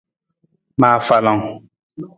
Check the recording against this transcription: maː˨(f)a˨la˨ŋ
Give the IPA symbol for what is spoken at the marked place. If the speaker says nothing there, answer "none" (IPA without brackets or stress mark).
f